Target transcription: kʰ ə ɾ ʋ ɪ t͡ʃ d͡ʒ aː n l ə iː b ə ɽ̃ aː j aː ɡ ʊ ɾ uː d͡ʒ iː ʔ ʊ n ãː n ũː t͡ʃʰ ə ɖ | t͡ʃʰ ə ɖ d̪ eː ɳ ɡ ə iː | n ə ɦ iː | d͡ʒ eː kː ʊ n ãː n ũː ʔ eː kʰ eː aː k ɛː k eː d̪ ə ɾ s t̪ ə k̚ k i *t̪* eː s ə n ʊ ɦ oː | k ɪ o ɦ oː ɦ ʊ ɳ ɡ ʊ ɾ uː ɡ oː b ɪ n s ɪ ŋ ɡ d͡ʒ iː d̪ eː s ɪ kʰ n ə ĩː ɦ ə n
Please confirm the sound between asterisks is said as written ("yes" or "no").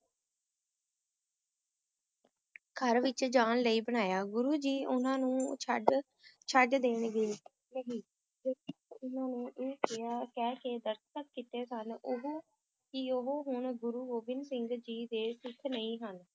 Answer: yes